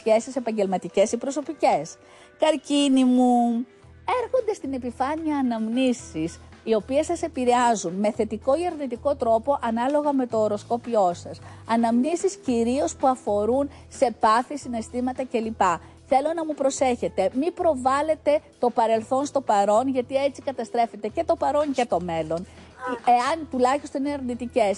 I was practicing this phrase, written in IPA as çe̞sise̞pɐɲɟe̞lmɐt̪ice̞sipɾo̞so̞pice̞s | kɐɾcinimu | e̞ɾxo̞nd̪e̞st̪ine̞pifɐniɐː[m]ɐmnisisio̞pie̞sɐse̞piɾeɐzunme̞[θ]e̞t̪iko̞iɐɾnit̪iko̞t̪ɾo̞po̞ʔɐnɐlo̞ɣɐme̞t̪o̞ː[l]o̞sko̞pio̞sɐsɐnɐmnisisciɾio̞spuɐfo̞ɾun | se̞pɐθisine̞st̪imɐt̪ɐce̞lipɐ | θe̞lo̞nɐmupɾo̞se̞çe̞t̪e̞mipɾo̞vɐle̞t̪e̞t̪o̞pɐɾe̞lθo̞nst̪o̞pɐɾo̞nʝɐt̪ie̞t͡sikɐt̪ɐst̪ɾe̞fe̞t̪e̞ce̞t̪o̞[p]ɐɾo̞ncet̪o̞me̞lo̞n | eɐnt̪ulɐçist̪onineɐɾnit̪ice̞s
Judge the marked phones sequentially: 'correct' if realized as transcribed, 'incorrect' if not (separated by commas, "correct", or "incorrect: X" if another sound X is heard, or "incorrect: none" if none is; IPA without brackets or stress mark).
incorrect: n, correct, incorrect: ɾ, correct